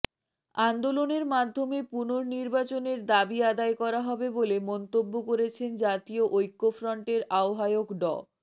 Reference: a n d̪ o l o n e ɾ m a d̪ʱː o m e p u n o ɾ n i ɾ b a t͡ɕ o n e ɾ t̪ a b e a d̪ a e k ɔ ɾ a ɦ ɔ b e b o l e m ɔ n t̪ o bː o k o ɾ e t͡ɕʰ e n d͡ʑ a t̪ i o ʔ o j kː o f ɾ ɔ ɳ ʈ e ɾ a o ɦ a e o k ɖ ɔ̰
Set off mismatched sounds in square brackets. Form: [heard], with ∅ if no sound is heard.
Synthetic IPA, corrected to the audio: a n d̪ o l o n e ɾ m a d̪ʱː o m e p u n o ɾ n i ɾ b a t͡ɕ o n e ɾ [d̪] a b [i] a d̪ a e k ɔ ɾ a ɦ ɔ b e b o l e m ɔ n t̪ o bː o k o ɾ e t͡ɕʰ e n d͡ʑ a t̪ i o ʔ o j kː o f ɾ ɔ ɳ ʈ e ɾ a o ɦ a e o k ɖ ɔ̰